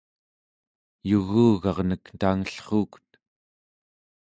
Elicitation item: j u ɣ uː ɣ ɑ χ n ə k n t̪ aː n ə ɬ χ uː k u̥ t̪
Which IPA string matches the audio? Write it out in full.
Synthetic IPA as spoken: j u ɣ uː ɣ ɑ ʁ n ə k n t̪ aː ŋ ə ɬ χ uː k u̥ t̪